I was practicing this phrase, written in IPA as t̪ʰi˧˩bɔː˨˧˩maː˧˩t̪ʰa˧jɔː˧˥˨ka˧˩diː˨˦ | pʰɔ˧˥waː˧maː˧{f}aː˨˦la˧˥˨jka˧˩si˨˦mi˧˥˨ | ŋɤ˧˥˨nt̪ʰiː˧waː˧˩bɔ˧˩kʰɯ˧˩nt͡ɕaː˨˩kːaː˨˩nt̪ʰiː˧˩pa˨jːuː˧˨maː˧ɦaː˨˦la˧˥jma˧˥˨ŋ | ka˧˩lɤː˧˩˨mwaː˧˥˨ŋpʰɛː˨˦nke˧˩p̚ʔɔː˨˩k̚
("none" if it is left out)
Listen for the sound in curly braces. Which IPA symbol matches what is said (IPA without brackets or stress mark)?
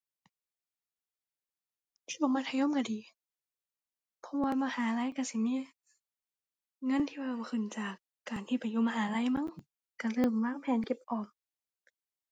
h